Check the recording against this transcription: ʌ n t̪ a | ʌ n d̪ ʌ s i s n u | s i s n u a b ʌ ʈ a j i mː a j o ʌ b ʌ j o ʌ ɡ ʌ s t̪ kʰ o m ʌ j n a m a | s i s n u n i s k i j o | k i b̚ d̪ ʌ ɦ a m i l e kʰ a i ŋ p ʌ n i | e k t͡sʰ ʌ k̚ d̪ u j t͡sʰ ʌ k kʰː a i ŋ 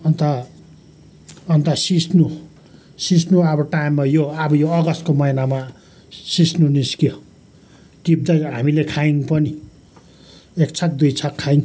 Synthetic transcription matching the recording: ʌ n t̪ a | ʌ n t̪ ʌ s i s n u | s i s n u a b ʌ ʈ a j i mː a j o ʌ b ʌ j o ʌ ɡ ʌ s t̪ k o m ʌ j n a m a | s i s n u n i s k i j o | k i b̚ d̪ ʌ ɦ a m i l e kʰ a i ŋ p ʌ n i | e k t͡sʰ ʌ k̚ d̪ u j t͡sʰ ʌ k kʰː a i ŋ